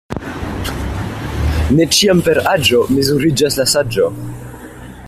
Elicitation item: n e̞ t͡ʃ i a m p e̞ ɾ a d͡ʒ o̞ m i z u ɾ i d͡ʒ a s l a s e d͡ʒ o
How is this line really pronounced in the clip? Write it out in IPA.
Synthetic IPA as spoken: n e̞ t͡ʃ i a m p e̞ ɾ a d͡ʒ o̞ m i z u ɾ i d͡ʒ a s l a s a d͡ʒ o